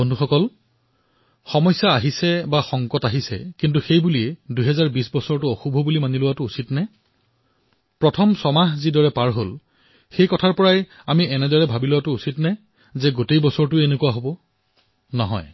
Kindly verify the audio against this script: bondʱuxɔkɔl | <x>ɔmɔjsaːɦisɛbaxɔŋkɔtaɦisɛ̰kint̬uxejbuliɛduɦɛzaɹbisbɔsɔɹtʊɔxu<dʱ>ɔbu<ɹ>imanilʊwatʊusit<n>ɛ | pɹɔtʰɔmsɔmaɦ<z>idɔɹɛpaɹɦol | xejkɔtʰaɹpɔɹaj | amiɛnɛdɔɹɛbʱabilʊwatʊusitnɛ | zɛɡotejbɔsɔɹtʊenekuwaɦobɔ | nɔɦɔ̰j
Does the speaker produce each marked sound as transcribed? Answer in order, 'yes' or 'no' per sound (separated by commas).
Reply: yes, no, no, yes, yes